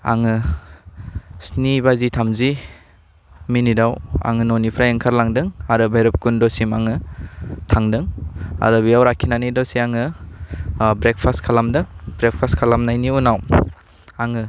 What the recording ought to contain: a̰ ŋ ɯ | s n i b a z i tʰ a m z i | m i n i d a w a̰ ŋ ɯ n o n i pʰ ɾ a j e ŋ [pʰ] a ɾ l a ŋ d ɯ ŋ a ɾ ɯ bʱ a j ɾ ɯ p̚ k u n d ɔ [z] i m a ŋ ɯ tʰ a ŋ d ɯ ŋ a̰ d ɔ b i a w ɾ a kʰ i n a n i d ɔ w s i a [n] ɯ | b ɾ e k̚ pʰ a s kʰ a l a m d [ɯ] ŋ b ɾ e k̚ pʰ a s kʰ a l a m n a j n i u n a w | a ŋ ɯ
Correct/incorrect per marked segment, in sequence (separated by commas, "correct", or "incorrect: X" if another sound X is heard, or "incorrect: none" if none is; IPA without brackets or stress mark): incorrect: kʰ, incorrect: s, incorrect: ŋ, correct